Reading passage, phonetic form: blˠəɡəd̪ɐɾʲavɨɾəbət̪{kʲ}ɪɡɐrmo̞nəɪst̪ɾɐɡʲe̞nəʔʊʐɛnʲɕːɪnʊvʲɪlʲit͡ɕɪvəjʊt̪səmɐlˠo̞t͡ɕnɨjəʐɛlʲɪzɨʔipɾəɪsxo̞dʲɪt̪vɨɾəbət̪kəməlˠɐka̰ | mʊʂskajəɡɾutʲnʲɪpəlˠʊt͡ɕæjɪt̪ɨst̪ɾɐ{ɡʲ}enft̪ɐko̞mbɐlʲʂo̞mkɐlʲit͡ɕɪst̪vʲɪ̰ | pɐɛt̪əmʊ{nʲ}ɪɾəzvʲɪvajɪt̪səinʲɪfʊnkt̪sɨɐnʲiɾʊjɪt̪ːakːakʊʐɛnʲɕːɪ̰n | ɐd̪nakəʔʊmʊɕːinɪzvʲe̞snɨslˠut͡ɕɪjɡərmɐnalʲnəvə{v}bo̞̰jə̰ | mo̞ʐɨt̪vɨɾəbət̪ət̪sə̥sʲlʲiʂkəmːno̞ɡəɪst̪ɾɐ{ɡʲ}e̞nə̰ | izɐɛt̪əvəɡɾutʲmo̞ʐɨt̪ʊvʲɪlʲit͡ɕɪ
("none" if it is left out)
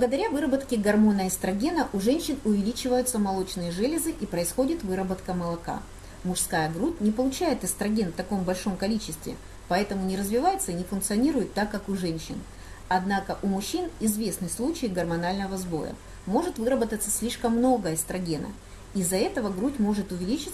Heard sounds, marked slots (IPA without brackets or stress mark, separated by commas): kʲ, ɡʲ, nʲ, z, ɡʲ